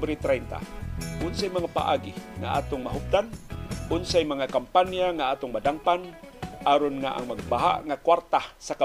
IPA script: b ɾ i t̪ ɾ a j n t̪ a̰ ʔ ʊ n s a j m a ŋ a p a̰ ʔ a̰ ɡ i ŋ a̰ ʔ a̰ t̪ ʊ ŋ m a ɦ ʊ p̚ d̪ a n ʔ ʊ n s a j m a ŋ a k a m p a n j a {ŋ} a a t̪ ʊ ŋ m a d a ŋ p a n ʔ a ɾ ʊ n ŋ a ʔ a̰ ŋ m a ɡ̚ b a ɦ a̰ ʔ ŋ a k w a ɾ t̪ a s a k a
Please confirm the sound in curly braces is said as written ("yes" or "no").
yes